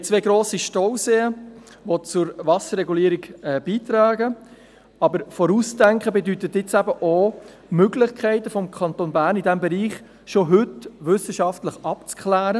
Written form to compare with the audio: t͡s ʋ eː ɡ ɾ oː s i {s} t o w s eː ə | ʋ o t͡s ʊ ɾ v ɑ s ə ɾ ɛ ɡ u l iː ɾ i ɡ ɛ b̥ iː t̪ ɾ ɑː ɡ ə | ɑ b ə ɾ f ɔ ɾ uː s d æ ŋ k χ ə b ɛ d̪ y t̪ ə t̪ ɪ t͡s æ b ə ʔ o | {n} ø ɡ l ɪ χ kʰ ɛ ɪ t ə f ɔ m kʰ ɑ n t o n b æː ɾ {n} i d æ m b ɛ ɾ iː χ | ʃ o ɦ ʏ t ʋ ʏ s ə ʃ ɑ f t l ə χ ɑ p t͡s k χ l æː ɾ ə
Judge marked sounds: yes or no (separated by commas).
no, no, yes